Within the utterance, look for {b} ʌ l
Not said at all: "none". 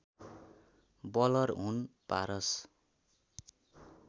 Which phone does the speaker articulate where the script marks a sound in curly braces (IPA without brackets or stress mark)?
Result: b